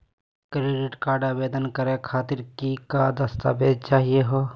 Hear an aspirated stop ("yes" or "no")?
yes